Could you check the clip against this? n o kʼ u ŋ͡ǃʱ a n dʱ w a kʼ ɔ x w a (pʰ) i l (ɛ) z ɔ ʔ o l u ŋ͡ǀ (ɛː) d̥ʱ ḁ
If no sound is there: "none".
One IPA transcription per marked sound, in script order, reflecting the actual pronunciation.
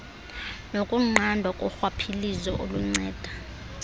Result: pʰ, i, ɛː

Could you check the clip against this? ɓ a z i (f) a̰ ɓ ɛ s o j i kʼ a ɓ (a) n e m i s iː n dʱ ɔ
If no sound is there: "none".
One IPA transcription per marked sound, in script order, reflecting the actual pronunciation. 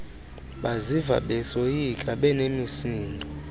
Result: v, ɛ

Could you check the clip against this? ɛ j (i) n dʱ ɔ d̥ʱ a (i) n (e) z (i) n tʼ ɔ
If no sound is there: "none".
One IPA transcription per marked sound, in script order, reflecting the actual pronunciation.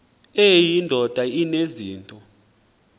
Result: i, i, e, iː

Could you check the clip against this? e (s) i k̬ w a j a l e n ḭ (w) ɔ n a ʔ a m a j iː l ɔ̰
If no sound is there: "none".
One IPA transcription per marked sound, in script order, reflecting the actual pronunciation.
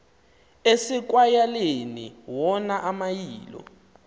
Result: s, w

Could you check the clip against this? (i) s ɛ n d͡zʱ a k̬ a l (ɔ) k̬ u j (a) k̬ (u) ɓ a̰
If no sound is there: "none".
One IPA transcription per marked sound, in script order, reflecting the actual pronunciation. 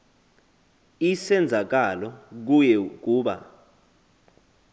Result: i, ɔ, ɛ, uː

